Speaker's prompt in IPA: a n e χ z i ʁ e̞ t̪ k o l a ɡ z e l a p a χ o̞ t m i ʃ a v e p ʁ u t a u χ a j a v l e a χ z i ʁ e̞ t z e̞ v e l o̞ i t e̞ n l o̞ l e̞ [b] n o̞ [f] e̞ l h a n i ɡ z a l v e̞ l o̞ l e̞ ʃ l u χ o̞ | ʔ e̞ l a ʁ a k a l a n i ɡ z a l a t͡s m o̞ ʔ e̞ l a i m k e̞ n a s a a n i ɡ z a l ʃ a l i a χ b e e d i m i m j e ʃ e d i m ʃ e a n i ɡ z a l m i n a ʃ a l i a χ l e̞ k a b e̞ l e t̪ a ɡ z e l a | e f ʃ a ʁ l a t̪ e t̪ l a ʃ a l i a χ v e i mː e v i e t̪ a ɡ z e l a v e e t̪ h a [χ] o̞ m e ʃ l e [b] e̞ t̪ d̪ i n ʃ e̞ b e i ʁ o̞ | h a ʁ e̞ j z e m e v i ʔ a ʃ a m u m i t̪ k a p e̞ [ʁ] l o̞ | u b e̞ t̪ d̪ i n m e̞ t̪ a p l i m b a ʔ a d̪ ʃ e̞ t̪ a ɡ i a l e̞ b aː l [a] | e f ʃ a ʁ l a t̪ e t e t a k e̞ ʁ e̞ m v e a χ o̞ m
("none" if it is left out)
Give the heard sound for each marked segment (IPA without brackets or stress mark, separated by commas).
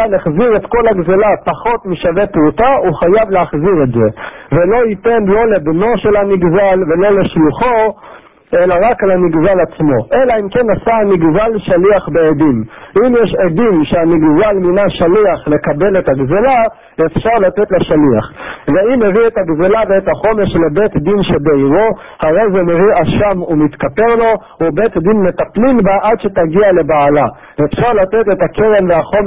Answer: b, ʃ, χ, b, ʁ, a